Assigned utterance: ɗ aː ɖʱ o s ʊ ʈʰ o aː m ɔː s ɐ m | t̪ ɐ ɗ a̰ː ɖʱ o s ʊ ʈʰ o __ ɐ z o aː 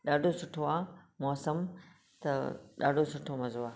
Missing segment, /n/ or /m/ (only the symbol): m